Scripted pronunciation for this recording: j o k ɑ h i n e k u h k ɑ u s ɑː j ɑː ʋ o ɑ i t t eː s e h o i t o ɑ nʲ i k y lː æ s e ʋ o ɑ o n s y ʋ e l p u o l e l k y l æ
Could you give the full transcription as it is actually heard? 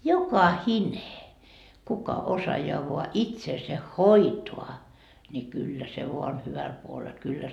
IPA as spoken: j o k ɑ h i n e k u k ɑ o s ɑ j ɑː ʋ o ɑ i t s eː s e h o i t o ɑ nʲ i k y lː æ s e ʋ o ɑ o n h y ʋ æ l p u o l e l k y lː æ